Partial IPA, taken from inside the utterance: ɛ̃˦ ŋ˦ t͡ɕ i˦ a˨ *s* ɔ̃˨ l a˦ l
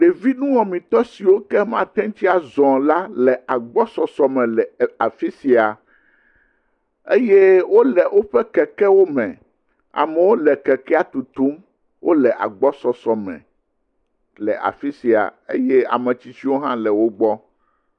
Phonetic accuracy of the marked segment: incorrect: z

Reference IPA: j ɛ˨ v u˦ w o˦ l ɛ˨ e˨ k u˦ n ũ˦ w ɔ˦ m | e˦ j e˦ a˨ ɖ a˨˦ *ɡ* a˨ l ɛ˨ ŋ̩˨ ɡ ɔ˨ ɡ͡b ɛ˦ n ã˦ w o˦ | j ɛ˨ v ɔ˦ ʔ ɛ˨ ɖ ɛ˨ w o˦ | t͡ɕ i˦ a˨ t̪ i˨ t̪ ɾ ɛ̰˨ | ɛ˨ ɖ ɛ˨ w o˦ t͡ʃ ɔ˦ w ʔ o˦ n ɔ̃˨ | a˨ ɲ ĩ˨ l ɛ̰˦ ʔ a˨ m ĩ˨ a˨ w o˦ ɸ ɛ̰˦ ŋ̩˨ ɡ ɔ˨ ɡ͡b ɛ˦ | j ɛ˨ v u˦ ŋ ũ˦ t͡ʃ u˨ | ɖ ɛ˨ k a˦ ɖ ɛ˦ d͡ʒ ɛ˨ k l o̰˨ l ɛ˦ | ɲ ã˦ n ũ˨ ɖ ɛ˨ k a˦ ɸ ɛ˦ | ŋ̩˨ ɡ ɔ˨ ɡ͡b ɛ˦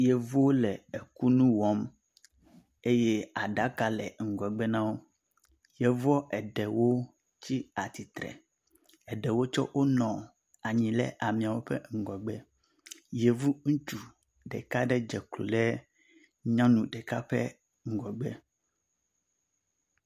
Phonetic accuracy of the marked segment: incorrect: k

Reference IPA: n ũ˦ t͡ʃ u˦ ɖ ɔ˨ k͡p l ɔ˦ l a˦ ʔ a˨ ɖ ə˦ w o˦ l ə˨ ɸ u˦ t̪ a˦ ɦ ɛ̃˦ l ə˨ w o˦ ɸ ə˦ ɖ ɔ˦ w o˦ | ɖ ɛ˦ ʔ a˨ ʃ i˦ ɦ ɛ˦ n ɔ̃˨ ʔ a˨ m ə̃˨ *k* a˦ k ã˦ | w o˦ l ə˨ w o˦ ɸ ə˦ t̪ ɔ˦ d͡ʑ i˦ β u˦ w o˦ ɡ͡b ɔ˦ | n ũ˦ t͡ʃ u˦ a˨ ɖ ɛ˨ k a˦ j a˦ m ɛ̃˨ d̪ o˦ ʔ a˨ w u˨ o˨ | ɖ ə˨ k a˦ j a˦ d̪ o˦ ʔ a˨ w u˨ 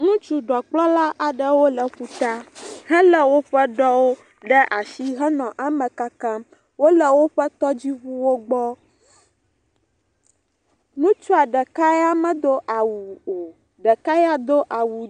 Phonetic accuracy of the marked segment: correct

